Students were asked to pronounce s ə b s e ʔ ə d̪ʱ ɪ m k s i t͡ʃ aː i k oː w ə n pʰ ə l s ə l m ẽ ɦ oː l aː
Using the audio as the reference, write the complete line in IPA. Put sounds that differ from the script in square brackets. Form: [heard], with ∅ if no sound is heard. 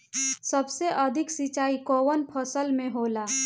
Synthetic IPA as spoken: s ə b s e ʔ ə d̪ʱ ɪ [∅] k s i t͡ʃ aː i k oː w ə n pʰ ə [∅] s ə l m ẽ ɦ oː l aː